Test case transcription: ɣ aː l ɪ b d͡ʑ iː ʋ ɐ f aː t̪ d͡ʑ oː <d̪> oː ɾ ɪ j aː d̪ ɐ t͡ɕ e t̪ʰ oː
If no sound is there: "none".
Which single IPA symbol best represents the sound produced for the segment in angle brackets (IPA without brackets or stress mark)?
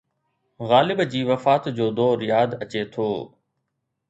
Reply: d̪